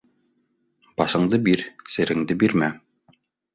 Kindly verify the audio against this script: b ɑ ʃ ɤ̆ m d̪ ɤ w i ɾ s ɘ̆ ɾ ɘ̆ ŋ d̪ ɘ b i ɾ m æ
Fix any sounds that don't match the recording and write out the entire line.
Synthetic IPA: b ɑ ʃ ɤ̆ ɴ d̪ ɤ b i ɾ s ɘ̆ ɾ ɘ̆ ŋ d̪ ɘ b i ɾ m æ